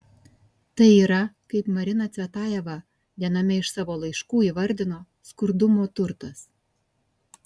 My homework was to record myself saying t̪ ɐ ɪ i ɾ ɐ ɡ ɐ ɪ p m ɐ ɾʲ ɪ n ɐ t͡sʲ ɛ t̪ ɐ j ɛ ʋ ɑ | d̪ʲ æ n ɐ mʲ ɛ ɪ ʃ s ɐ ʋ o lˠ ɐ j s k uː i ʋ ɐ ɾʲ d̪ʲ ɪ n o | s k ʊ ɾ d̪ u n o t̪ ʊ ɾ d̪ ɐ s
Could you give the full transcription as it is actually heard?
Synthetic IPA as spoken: t̪ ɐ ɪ i ɾ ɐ k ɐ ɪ p m ɐ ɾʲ ɪ n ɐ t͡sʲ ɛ t̪ ɑ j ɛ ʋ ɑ | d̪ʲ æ n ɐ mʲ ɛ ɪ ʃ s ɑ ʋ o lˠ ɐ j ʃ k uː i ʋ ɐ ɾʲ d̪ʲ ɪ n o | s k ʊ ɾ d̪ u m o t̪ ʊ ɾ t̪ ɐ s